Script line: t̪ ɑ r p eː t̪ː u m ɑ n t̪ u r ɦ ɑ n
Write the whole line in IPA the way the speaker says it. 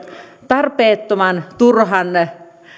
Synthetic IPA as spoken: t̪ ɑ r p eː t̪ː o m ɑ n t̪ u r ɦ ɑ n